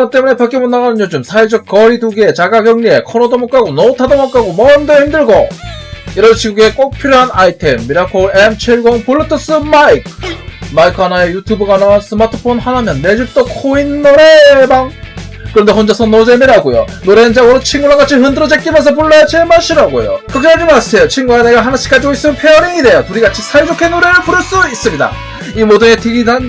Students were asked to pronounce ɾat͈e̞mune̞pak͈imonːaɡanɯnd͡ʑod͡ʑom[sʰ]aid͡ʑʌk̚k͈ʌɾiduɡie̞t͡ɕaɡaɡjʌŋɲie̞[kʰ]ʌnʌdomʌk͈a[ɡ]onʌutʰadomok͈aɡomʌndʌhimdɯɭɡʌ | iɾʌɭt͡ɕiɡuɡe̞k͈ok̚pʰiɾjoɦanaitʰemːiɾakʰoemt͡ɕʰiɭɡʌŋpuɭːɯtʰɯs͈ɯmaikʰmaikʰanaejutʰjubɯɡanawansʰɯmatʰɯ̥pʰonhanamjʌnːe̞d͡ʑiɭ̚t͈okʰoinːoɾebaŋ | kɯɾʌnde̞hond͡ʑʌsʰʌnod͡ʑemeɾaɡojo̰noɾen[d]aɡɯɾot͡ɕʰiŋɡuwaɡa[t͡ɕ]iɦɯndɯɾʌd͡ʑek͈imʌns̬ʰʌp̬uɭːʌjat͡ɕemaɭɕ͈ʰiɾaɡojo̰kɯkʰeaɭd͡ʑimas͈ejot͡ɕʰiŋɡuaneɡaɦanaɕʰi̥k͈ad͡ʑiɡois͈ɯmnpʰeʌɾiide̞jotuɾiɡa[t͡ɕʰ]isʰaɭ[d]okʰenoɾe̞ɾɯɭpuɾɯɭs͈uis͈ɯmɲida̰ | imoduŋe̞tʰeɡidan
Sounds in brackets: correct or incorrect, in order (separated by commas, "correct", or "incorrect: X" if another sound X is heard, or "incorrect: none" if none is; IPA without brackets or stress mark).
correct, correct, correct, incorrect: d͡ʑ, incorrect: t͡ɕʰ, correct, incorrect: d͡ʑ